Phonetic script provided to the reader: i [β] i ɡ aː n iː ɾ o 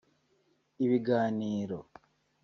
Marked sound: correct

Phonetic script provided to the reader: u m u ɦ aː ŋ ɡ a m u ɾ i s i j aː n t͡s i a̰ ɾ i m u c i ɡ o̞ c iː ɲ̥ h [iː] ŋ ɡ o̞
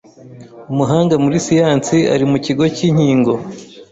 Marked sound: correct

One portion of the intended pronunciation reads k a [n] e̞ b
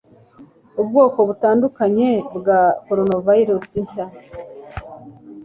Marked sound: incorrect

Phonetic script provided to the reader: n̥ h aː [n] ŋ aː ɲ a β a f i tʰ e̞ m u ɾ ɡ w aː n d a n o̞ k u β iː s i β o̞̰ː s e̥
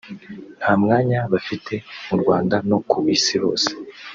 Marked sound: incorrect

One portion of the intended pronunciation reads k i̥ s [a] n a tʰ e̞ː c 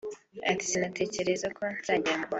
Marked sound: incorrect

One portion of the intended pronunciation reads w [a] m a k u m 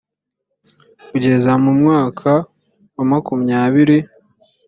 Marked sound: correct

